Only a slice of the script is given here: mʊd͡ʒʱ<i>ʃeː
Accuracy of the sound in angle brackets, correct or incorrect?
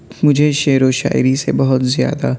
incorrect